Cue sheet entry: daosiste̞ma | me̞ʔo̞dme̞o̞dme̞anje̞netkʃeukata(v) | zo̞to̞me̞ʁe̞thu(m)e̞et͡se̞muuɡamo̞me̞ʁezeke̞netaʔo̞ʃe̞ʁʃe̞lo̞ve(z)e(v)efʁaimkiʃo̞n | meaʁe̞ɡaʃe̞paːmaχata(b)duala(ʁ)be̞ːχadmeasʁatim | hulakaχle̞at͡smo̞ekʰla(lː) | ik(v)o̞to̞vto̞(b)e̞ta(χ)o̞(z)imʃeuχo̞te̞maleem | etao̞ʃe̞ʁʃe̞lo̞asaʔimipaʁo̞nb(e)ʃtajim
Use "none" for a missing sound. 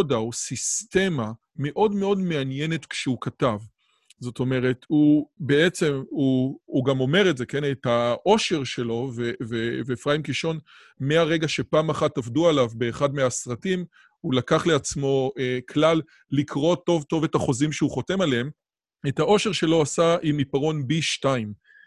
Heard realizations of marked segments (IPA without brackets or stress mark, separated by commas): v, b, v, v, v, v, lː, ʁ, v, χ, z, i